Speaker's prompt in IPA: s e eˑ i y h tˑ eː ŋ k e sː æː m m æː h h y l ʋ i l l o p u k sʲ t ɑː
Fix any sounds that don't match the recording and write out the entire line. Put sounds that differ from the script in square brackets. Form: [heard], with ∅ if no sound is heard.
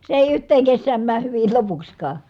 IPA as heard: s e eˑ i y h tˑ eː ŋ k e sː æː m m æː h h y [∅] ʋ i l l o p u k sʲ [k] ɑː

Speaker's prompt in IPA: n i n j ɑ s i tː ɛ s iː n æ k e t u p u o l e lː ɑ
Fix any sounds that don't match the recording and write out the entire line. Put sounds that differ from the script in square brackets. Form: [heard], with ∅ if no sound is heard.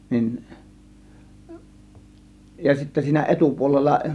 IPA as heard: n i n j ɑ s i tː [æ] s iː n æ [ʔ] e t u p u o l e lː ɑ

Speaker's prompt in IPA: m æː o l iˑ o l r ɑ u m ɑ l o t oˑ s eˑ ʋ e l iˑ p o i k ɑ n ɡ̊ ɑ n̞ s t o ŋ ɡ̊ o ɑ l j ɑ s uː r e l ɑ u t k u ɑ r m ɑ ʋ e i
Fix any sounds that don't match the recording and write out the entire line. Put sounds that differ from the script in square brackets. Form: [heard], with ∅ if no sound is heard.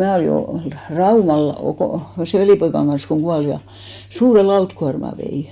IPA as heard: m æː o l iˑ o l r ɑ u m ɑ l o [k] oˑ s eˑ ʋ e l iˑ p o i k ɑ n ɡ̊ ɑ n̞ s [k] o ŋ ɡ̊ [u] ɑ l j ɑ s uː r e l ɑ u t k u ɑ r m ɑ ʋ e i

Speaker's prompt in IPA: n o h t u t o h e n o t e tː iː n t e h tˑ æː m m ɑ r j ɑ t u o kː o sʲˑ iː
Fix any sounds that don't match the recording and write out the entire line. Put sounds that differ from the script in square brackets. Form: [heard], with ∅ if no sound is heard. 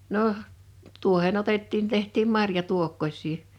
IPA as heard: n o h t u [∅] o h e n o t e tː iː n t e h tˑ [iː] m m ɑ r j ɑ t u o kː o sʲˑ iː

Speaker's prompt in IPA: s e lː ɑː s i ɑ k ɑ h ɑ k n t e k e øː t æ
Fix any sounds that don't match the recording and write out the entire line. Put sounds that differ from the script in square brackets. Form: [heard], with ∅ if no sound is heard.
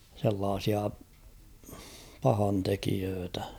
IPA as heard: s e lː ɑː s i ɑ [p] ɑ h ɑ [∅] n t e k [i] øː t æ

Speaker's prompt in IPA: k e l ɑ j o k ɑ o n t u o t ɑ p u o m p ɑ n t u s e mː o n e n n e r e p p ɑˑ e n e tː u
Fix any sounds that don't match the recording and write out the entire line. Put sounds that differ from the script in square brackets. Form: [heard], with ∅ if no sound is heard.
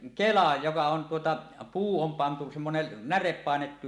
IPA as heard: k e l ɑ j o k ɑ o n t u o t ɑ p [uː] o m p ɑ n t u s e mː o n e n n [æ] r e p p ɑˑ e n e tː u

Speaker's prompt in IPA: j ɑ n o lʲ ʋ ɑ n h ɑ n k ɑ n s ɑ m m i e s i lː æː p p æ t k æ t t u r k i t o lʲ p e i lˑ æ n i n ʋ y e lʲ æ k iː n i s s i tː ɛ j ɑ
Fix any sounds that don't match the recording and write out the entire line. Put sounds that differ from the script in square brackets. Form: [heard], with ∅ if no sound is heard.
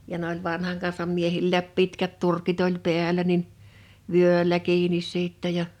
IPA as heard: j ɑ n o lʲ ʋ ɑ n h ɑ [ŋ] k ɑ n s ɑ m m i e [h] i lː æː p p [i] t k æ t t u r k i t o lʲ p e [æ] lˑ æ n i n ʋ y [ø] lʲ æ k iː n i s s i tː ɛ j ɑ

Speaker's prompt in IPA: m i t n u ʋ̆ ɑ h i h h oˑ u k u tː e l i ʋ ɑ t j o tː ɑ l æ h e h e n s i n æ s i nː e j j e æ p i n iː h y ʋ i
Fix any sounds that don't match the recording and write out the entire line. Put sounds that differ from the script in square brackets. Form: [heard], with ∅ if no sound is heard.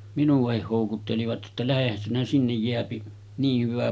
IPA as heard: m i [∅] n u ʋ̆ ɑ h i h h oˑ u k u tː e l i ʋ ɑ t j o tː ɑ l æ h e h [æ] n s i n æ s i nː e j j e æ p i n iː h y ʋ [æ]

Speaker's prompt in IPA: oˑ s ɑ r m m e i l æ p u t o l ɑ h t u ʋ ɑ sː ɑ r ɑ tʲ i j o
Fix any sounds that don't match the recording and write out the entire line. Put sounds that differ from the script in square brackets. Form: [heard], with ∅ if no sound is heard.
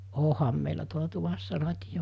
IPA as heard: oˑ [h] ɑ [∅] m m e i l æ [t] u [∅] o l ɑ [∅] t u ʋ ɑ sː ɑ r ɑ tʲ i j o

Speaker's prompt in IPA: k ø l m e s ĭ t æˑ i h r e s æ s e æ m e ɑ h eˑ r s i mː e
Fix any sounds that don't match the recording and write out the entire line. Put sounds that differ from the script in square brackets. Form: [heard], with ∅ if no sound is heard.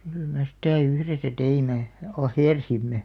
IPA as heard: k [y] l m e s ĭ t æˑ [y] h r e s æ [t] e [i] m e ɑ h eˑ r s i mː e

